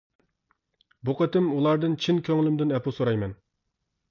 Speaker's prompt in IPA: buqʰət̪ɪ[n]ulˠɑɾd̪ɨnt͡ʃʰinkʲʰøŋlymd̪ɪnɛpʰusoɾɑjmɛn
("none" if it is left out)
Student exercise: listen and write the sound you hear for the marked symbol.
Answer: m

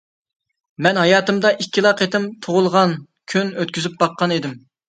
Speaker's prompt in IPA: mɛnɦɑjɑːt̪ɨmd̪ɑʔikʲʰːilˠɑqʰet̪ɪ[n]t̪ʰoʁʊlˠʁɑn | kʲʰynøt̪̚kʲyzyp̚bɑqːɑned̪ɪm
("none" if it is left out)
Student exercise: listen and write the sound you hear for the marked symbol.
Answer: m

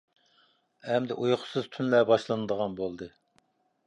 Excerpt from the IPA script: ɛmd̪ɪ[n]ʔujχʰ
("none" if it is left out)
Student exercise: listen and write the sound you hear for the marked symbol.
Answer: none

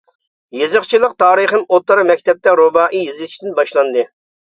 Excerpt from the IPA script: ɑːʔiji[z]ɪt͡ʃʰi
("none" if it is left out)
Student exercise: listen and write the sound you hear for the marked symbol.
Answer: z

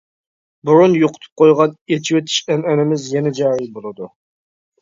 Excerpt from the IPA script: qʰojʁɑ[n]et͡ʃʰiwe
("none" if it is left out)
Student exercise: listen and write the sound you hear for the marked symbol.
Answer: n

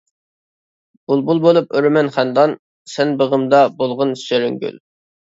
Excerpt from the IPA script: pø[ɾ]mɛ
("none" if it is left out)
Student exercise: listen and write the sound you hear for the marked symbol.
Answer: ɾ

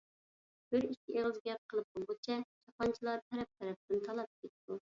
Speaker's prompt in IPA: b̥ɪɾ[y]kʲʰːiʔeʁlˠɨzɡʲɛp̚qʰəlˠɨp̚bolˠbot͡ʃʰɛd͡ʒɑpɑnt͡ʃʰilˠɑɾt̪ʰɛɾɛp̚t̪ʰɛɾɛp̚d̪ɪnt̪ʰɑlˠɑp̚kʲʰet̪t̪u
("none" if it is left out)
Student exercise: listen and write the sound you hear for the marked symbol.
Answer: i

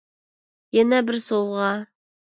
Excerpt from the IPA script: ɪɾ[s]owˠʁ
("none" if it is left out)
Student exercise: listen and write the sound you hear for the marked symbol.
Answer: s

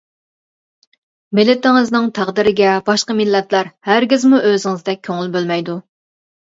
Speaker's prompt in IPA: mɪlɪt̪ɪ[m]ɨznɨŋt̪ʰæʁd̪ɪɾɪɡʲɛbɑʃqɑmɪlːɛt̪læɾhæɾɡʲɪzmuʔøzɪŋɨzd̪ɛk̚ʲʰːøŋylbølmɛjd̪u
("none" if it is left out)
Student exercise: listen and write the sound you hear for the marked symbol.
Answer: ŋ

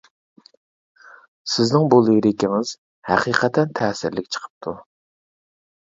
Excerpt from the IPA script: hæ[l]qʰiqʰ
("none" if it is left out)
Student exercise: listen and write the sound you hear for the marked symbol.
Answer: none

